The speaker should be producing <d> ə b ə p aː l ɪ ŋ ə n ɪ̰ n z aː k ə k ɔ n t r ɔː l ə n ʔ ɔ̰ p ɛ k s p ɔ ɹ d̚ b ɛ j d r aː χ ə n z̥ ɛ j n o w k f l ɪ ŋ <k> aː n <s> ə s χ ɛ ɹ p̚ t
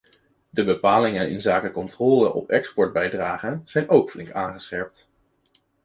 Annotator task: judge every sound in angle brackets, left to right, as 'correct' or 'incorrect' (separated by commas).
correct, correct, incorrect